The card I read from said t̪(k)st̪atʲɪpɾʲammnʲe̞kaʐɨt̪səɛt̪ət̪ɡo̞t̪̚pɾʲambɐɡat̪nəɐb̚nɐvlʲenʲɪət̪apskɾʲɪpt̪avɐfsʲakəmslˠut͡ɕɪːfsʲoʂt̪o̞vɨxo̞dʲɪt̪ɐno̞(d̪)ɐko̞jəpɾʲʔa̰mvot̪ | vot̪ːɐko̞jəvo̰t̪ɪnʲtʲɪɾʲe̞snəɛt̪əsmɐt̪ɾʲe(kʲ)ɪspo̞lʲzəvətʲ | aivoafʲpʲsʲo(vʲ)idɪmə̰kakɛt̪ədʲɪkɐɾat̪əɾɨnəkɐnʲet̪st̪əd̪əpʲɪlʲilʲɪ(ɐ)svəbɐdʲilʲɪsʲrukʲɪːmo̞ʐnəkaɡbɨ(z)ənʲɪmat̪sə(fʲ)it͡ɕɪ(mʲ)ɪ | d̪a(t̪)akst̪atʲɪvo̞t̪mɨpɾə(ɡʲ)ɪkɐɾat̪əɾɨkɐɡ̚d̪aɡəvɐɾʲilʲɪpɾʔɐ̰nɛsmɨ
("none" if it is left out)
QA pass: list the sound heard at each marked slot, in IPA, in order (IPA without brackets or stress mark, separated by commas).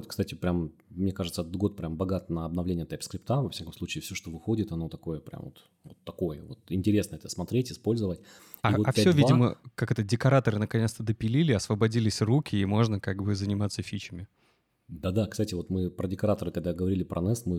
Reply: k, t̪, tʲ, vʲ, ɐ, z, fʲ, mʲ, d̪, dʲ